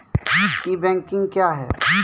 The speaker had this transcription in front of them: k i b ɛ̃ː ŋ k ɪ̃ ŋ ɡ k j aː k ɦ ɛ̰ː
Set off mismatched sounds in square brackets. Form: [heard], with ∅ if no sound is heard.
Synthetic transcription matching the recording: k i b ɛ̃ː ŋ k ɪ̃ ŋ ɡ k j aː [∅] ɦ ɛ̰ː